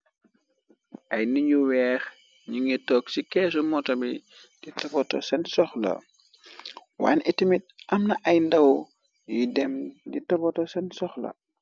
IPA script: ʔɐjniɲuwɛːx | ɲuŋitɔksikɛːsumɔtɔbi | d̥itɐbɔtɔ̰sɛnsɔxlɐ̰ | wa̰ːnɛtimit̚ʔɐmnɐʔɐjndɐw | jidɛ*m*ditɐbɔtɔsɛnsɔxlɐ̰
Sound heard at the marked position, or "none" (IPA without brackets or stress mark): m